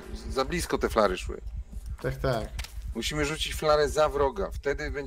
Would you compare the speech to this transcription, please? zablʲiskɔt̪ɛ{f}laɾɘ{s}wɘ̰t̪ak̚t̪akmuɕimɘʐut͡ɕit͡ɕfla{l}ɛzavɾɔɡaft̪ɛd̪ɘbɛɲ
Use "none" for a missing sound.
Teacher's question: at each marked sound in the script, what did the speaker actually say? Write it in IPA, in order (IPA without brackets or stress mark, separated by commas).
f, ʂ, ɾ